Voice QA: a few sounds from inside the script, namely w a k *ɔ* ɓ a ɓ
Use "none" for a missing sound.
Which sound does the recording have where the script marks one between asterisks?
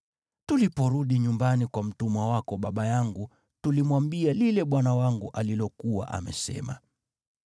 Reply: ɔ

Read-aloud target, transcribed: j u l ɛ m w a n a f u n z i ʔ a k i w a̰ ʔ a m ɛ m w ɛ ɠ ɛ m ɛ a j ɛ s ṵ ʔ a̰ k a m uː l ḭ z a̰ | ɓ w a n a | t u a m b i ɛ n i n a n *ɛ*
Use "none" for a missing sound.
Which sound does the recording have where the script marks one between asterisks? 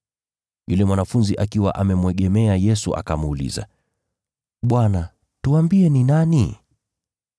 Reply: i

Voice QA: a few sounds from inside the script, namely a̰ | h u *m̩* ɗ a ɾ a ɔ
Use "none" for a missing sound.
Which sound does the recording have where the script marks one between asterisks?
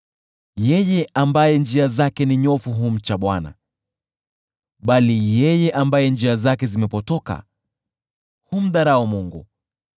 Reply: m̩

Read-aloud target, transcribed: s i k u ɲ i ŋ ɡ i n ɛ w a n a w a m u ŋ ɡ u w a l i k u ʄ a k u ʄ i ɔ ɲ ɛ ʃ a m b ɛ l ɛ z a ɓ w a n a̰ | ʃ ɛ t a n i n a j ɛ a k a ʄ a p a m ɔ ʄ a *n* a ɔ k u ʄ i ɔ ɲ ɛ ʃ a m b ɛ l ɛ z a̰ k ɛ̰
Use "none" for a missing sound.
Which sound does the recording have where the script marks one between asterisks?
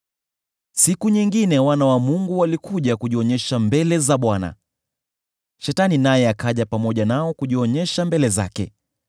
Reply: n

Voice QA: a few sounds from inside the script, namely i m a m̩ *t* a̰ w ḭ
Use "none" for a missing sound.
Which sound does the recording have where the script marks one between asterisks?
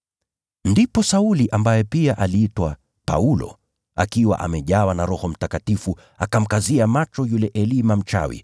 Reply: t͡ʃ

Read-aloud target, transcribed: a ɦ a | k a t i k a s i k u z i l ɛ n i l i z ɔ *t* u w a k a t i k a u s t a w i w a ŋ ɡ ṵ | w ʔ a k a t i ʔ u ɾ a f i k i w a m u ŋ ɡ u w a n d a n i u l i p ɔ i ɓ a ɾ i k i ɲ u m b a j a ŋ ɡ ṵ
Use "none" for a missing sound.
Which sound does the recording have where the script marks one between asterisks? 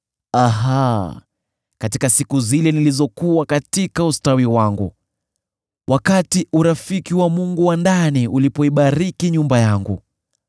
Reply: k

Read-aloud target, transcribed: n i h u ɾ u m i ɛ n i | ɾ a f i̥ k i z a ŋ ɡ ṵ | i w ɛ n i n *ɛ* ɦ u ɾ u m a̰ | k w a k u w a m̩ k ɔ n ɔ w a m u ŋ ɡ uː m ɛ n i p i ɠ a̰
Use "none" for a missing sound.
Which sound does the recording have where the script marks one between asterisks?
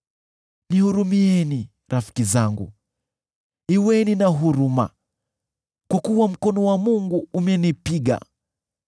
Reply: a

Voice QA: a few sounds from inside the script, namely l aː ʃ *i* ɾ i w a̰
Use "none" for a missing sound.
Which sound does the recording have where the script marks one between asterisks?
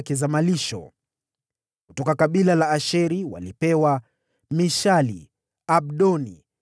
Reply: ɛ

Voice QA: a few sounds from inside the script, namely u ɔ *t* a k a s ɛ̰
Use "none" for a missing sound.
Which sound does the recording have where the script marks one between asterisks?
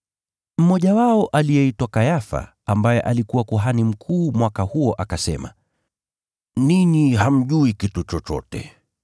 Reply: ʔ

